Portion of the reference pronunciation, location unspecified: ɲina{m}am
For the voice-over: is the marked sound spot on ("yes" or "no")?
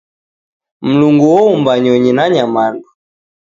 no